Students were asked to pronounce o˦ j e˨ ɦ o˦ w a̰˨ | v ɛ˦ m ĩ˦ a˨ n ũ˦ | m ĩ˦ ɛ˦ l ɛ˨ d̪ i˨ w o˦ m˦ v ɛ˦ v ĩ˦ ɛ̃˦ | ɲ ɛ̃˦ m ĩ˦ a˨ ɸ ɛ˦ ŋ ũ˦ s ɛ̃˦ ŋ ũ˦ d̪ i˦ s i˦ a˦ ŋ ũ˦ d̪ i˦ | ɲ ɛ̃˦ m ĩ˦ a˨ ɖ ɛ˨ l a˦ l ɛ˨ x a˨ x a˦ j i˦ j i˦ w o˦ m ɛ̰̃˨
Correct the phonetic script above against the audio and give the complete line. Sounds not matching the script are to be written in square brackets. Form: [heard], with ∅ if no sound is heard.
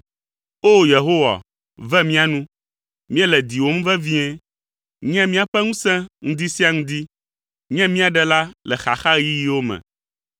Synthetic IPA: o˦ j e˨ ɦ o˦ w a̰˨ | v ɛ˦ m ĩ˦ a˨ n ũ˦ | m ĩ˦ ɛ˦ l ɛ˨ d̪ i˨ w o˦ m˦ v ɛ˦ v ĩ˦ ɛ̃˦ | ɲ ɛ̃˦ m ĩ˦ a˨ ɸ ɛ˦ ŋ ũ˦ s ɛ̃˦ ŋ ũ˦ d̪ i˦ s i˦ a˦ ŋ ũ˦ d̪ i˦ | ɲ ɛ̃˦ m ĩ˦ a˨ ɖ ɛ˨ l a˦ l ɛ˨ x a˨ x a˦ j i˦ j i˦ w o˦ m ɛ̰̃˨